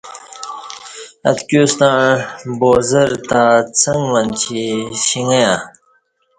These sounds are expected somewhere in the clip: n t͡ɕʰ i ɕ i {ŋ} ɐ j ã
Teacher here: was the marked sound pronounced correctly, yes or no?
yes